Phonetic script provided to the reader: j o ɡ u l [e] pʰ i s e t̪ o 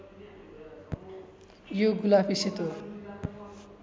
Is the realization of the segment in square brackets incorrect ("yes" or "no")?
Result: yes